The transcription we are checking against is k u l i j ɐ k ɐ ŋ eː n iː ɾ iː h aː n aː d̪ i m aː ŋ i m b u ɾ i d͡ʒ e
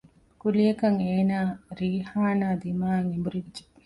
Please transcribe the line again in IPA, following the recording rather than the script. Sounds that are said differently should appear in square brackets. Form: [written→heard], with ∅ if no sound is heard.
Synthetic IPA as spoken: k u l i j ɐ k ɐ ŋ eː n [iː→aː] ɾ iː h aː n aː d̪ i m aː ŋ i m b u ɾ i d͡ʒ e